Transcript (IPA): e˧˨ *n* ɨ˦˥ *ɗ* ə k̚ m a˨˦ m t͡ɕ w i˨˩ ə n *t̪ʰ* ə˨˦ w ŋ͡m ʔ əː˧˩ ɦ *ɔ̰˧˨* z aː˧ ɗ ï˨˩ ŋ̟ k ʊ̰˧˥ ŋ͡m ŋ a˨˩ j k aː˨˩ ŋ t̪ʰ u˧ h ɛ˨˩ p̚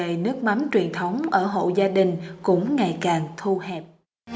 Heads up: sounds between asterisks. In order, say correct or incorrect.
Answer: correct, incorrect: none, correct, incorrect: o̰˧˨

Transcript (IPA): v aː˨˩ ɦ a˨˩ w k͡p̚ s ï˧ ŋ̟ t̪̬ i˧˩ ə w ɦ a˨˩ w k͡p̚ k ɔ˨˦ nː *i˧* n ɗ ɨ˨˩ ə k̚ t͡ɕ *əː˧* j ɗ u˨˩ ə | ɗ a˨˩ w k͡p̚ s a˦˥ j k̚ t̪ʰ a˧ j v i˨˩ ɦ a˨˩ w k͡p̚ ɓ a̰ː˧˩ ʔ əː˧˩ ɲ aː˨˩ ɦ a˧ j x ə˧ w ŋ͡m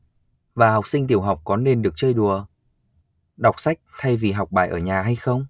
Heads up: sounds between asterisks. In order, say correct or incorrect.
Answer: incorrect: e˧, correct

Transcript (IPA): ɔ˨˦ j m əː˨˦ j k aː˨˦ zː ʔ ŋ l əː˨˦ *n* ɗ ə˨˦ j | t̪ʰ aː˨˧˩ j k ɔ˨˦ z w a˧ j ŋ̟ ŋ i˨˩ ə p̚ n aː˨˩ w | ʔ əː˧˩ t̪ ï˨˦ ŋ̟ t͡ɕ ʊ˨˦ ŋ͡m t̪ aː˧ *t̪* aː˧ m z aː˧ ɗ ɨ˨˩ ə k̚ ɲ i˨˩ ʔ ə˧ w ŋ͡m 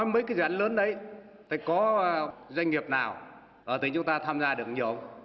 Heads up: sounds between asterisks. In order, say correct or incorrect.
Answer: correct, incorrect: t̪ʰ

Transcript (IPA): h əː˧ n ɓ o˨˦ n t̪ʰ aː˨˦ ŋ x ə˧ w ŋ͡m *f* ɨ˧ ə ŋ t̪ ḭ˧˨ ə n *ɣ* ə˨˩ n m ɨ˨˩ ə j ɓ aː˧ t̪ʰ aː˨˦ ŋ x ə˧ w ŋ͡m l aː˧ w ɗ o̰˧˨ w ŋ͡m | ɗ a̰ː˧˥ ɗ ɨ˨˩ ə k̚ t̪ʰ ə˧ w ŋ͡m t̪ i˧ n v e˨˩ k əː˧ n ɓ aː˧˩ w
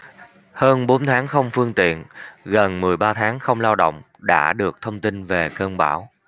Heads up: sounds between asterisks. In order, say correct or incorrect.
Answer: correct, correct

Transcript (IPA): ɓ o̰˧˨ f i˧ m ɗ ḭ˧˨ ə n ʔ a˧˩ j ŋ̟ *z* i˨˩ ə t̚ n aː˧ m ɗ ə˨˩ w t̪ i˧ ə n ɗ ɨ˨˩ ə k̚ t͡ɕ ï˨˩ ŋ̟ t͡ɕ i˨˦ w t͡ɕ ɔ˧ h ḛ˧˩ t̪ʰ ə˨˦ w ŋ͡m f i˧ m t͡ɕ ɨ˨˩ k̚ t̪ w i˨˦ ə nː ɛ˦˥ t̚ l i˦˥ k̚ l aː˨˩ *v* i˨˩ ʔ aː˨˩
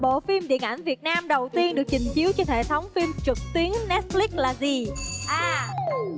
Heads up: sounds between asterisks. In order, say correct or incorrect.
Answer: incorrect: v, incorrect: z

